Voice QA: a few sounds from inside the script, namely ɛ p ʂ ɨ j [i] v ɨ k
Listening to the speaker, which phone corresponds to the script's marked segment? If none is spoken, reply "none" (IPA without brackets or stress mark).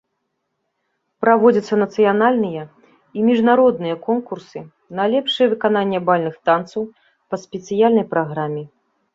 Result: ɛ